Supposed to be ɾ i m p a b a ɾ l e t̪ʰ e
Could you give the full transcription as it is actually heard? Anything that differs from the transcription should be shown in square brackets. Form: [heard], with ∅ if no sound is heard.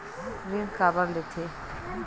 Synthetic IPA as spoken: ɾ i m [k] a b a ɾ l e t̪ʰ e